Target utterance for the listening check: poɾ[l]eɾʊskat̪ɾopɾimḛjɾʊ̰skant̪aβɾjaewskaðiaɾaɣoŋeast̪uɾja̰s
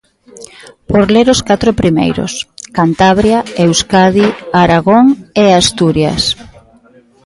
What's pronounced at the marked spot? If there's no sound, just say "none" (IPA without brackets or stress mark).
l